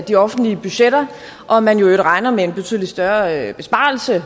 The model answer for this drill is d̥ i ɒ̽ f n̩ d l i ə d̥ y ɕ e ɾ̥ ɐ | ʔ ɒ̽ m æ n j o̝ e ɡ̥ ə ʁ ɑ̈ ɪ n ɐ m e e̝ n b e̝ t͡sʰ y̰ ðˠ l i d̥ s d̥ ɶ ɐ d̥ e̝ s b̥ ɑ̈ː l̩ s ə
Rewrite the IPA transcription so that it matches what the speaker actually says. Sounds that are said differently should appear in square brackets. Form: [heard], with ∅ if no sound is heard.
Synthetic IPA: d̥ i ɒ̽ f n̩ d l i ə [b̥] y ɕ e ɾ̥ ɐ | ʔ ɒ̽ m æ n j o̝ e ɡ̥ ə ʁ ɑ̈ ɪ n ɐ m e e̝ n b e̝ t͡sʰ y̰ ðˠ l i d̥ s d̥ ɶ ɐ [b̥] e̝ s b̥ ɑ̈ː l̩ s ə